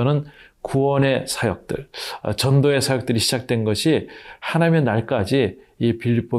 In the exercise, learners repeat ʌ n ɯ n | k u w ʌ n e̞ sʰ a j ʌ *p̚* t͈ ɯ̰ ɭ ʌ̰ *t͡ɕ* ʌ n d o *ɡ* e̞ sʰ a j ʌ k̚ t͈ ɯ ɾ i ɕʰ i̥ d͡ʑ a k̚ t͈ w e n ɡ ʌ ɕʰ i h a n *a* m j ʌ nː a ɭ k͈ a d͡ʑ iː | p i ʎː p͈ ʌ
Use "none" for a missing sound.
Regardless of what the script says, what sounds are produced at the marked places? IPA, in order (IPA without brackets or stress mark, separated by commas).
k̚, t͡ɕ, none, a